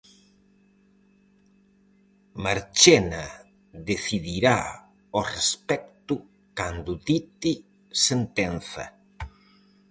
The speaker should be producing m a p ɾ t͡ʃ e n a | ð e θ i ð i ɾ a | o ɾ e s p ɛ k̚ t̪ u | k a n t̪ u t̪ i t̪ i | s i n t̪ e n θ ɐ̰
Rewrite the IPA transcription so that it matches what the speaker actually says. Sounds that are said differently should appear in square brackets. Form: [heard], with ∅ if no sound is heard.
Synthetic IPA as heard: m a [∅] ɾ t͡ʃ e n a | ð e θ i ð i ɾ a | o [r] e s p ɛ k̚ t̪ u | k a n [d̪] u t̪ i t̪ i | s [e] n t̪ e n θ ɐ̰